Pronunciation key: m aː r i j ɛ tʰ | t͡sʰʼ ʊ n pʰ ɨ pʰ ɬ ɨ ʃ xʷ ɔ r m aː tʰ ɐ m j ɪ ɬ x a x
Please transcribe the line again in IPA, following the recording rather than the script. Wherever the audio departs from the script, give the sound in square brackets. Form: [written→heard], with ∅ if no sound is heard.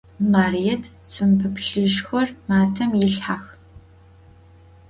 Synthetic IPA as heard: m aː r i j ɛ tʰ | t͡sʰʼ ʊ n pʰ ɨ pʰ ɬ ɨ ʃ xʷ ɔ r m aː tʰ ɐ m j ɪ ɬ [x→ħ] a x